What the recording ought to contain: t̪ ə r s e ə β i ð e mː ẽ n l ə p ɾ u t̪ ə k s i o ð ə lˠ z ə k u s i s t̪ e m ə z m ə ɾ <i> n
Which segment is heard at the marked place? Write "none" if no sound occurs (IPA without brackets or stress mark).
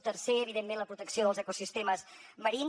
i